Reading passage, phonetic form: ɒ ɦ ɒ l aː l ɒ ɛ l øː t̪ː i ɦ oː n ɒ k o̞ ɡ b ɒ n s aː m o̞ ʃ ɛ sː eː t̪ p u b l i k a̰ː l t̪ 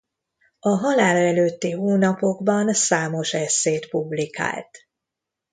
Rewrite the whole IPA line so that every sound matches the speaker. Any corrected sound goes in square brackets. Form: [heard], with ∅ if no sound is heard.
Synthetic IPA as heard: ɒ ɦ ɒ l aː l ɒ ɛ l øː t̪ː i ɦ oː n ɒ [p] o̞ ɡ b ɒ n s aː m o̞ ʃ ɛ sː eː t̪ p u b l i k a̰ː l t̪